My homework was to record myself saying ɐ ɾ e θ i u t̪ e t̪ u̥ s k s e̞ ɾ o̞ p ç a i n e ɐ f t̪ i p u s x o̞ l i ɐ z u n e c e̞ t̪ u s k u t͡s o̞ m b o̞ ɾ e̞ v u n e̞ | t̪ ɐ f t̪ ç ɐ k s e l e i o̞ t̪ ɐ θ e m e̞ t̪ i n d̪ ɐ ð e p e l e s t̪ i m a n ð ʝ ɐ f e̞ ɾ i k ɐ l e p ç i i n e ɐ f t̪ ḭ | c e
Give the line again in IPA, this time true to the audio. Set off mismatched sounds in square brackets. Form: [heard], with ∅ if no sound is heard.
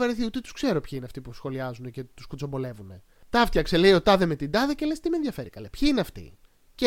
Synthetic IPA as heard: ɐ ɾ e θ i u t̪ e t̪ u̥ s k s e̞ ɾ o̞ p ç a i n e ɐ f t̪ i p u s x o̞ l i ɐ z u n e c e̞ t̪ u s k u t͡s o̞ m b o̞ [l] e̞ v u n e̞ | t̪ ɐ f t̪ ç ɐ k s e l e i o̞ t̪ ɐ [ð] e m e̞ t̪ i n d̪ ɐ ð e [c] e l e s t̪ i m [e] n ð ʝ ɐ f e̞ ɾ i k ɐ l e p ç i i n e ɐ f t̪ ḭ | c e